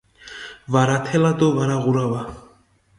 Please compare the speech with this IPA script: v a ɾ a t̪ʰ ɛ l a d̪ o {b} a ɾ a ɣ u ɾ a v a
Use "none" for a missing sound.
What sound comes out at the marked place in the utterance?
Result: v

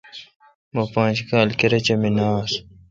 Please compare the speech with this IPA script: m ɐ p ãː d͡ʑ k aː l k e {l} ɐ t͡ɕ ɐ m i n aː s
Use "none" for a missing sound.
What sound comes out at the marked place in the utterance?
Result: ɾ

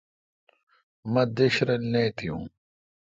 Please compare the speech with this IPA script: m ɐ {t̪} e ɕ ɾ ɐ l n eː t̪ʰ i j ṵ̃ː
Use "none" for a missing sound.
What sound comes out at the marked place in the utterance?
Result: d̪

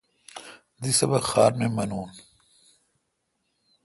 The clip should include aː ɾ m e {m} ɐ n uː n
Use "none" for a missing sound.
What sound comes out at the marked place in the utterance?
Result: m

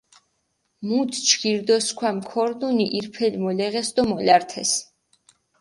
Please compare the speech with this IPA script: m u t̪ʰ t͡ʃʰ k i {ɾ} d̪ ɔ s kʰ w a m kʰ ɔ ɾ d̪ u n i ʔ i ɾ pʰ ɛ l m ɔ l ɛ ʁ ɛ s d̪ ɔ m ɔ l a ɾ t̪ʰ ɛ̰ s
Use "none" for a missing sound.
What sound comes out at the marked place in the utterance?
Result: ɾ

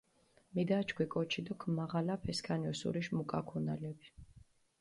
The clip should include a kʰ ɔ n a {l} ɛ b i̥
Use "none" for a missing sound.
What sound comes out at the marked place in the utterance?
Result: l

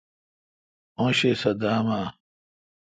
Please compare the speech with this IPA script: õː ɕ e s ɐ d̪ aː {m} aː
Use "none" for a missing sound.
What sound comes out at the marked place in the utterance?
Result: m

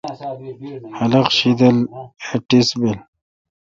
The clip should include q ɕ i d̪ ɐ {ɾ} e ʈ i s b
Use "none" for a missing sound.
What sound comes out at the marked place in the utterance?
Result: l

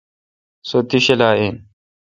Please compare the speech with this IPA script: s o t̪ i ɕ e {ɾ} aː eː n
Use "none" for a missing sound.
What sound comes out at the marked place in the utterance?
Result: l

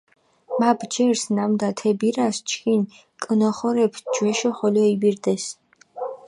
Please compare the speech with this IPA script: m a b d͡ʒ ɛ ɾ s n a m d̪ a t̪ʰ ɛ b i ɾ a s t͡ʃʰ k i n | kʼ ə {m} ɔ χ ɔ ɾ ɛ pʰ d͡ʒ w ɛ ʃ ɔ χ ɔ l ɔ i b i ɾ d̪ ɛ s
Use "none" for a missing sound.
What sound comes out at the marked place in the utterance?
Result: n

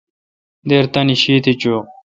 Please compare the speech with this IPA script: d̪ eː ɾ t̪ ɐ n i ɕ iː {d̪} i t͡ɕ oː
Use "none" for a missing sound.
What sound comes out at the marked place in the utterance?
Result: t̪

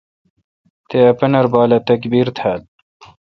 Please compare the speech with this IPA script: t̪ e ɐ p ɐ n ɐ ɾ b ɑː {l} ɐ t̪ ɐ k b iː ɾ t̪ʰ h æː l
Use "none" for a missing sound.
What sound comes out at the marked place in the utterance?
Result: l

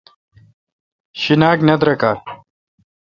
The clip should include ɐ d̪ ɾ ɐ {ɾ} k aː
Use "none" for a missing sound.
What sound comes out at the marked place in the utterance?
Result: none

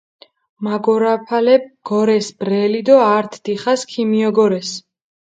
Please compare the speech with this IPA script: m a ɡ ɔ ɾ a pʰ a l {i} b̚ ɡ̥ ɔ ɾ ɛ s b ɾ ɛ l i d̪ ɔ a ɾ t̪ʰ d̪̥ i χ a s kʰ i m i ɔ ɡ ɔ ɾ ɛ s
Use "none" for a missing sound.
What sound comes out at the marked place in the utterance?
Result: ɛ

